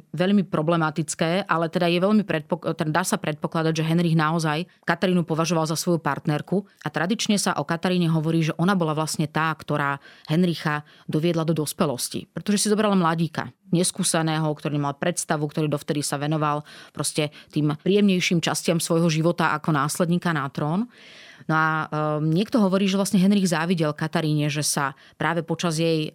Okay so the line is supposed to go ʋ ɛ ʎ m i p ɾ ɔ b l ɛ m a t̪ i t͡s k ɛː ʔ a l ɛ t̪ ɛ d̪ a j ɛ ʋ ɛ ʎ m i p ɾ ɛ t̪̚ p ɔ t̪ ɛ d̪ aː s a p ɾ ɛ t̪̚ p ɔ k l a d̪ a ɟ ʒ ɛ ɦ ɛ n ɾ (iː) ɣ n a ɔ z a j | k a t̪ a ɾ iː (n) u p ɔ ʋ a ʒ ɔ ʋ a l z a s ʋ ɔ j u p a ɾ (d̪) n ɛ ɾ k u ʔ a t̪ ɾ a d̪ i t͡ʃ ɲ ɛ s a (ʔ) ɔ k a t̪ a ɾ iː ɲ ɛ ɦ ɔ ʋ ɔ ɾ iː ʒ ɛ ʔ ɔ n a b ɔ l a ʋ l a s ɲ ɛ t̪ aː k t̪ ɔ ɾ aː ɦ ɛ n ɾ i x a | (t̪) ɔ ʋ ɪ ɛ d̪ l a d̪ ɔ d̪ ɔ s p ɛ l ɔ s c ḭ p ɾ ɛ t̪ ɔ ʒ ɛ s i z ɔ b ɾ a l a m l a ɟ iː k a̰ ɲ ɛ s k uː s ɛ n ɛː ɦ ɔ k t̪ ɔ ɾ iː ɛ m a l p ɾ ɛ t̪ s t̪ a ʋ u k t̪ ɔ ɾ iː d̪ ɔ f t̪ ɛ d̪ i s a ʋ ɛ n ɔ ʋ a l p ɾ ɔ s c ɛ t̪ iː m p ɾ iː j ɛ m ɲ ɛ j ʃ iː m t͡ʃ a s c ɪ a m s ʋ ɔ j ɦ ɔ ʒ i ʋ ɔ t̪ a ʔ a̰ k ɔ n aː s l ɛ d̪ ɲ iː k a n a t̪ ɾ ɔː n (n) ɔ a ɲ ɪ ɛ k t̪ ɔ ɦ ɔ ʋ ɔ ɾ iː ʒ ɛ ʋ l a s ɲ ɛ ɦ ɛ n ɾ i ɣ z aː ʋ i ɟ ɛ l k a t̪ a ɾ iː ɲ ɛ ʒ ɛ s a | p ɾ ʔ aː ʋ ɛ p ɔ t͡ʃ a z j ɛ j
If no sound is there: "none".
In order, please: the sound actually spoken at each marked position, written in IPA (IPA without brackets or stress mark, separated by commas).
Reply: i, n, t̪, ʔ, d̪, n